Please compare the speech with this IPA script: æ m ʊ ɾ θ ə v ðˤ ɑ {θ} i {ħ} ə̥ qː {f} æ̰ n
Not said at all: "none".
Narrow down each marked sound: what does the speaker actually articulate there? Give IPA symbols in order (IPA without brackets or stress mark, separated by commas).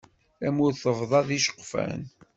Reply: ð, ʃ, f